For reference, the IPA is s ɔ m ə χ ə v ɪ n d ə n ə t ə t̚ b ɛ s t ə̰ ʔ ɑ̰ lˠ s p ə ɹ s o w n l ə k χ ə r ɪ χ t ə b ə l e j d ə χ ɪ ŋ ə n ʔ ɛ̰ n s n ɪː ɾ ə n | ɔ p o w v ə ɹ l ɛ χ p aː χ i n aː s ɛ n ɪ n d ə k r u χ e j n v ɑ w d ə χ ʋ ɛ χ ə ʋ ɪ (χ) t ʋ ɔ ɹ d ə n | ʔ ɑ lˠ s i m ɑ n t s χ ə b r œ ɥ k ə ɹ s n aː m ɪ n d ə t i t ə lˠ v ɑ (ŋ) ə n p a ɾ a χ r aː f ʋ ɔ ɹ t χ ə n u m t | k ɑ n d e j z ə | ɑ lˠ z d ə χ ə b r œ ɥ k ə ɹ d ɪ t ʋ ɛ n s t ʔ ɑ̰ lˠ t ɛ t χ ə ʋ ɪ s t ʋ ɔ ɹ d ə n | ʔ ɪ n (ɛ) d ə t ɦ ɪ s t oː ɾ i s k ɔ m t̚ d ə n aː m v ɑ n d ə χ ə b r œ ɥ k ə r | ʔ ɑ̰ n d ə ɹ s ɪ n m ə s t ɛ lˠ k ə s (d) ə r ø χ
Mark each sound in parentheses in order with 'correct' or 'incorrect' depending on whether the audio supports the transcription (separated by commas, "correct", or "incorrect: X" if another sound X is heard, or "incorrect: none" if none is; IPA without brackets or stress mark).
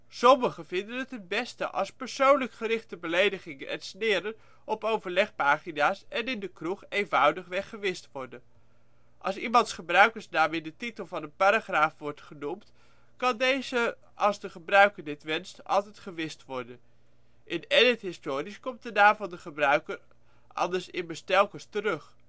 incorrect: s, incorrect: n, correct, incorrect: t